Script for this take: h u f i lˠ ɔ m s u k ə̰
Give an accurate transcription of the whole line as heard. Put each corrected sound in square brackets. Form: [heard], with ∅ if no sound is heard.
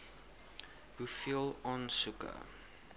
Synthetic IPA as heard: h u f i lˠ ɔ [n] s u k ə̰

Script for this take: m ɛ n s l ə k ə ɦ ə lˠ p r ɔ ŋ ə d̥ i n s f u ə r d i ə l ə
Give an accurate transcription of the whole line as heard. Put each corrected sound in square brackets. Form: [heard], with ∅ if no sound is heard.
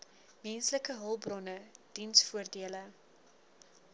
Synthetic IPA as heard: m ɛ n s l ə k ə ɦ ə lˠ [b] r ɔ [n] ə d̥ i n s f u ə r d i ə l ə

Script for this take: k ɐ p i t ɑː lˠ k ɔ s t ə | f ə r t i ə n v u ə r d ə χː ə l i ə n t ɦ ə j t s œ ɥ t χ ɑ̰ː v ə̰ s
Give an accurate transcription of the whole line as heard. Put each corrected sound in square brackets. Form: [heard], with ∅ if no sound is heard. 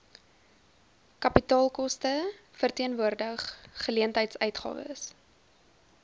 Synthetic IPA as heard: k ɐ p i t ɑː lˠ k ɔ s t ə | f ə r t i ə n v u ə r d ə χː ə l i ə n t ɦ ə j t s œ ɥ t χ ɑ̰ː v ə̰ s

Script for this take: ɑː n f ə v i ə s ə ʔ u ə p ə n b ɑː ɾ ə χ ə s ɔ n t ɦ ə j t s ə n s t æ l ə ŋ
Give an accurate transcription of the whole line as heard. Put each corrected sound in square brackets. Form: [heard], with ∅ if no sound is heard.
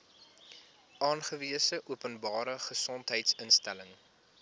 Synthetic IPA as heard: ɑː n [χ] ə v i ə s ə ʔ u ə p ə n b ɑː ɾ ə χ ə s ɔ n t ɦ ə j t s ə n s t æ l ə ŋ

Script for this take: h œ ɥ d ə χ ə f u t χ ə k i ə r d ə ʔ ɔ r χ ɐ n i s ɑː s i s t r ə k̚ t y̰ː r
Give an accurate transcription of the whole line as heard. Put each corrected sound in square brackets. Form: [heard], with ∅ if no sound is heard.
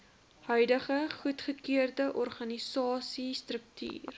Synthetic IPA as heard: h œ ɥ d ə χ ə [χ] u t χ ə k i ə r d ə ʔ ɔ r χ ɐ n i s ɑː s i s t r ə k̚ t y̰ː r

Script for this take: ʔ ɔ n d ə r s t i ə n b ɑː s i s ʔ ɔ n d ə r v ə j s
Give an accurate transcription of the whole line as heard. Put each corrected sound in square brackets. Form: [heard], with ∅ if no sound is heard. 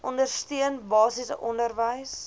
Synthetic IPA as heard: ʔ ɔ n d ə r s t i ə n b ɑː s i s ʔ ɔ n d ə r v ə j s

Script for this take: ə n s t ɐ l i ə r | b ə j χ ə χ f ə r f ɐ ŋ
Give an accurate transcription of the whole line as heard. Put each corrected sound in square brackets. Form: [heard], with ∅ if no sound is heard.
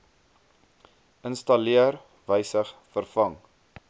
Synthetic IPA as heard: ə n s t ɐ l i ə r | [v] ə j [s] ə χ f ə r f ɐ ŋ

